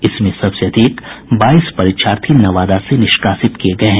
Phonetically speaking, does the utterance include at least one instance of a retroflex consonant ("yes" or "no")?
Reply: no